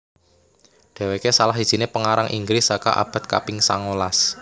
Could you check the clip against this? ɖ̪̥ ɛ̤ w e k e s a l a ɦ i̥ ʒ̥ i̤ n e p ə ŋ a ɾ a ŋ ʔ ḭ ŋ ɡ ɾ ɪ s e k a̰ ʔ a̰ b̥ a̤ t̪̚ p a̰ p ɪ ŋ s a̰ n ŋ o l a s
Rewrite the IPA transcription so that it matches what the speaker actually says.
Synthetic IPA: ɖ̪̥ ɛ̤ w e k e s a l a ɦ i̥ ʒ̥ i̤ n e p ə ŋ a ɾ a ŋ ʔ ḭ ŋ ɡ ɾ ɪ s a k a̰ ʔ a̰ b̥ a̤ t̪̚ k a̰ p ɪ ŋ s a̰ ŋ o l a s